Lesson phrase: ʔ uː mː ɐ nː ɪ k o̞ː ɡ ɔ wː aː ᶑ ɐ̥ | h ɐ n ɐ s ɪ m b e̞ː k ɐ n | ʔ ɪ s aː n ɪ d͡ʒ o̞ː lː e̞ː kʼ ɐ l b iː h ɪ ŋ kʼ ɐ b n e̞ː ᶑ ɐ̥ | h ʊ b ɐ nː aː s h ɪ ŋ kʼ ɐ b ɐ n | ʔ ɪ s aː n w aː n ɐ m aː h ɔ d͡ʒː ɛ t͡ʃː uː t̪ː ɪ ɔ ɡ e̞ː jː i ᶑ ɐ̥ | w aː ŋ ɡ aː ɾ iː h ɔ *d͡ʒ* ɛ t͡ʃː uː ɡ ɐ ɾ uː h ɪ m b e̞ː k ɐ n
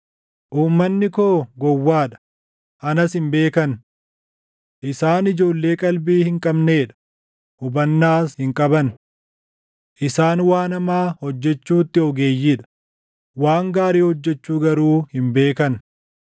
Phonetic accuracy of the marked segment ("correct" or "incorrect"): incorrect